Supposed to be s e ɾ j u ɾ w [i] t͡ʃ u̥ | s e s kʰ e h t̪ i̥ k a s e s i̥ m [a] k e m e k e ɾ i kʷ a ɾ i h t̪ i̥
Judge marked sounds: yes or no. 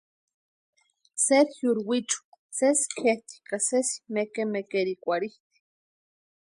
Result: yes, no

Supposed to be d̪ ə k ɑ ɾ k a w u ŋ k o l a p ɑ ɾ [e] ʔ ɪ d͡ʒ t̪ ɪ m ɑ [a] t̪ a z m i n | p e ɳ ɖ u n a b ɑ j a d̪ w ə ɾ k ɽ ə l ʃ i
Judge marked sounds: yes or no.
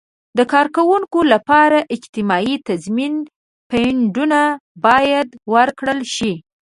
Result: no, no

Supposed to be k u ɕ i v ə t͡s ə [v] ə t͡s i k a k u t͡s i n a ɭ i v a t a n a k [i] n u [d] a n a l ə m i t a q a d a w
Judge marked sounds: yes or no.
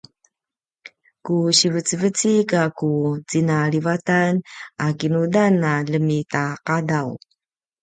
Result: yes, yes, yes

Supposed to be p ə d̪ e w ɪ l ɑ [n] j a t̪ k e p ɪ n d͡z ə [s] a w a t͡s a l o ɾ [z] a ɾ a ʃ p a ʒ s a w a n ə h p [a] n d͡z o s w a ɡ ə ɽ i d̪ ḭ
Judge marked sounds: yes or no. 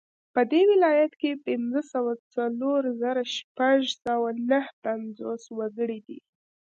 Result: no, yes, yes, yes

